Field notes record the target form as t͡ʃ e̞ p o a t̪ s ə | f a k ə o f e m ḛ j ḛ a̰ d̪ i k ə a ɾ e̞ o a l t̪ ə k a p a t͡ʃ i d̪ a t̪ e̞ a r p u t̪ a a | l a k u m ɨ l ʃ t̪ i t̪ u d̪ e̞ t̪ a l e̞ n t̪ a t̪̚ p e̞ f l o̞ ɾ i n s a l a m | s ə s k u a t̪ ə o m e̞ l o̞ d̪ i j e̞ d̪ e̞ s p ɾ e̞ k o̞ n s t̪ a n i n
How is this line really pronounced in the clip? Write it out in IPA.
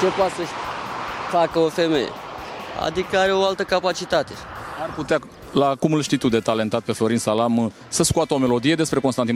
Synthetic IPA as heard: t͡ʃ e̞ p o a t̪ s ə | f a k ə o f e m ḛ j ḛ a̰ d̪ i k ə a ɾ e̞ o a l t̪ ə k a p a t͡ʃ i t̪ a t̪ e̞ a r p u t̪ e a | l a k u m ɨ l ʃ t̪ i t̪ u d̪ e̞ t̪ a l e̞ n t̪ a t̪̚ p e̞ f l o̞ ɾ i n s a l a m | s ə s k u a t̪ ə o m e̞ l o̞ d̪ i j e̞ d̪ e̞ s p ɾ e̞ k o̞ n s t̪ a n i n